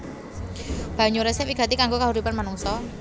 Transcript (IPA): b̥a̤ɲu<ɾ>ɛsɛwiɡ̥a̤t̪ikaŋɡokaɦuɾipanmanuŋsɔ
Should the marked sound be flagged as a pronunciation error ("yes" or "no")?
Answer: no